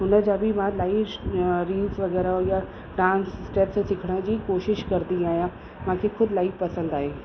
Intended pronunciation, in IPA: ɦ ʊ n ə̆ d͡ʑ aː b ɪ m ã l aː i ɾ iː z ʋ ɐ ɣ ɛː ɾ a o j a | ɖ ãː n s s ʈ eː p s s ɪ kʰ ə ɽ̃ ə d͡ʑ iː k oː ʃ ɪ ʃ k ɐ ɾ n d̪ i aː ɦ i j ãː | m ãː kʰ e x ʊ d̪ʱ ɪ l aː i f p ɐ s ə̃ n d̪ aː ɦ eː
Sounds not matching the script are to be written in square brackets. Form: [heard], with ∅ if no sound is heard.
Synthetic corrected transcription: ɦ ʊ n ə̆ d͡ʑ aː b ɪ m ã l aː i ɾ iː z ʋ ɐ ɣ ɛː ɾ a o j a | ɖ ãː n s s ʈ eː p s s ɪ kʰ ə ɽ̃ ə d͡ʑ iː k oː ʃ ɪ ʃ k ɐ ɾ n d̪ i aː ɦ i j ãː | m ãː kʰ e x ʊ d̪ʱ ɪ l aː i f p ɐ s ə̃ n d̪ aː ɦ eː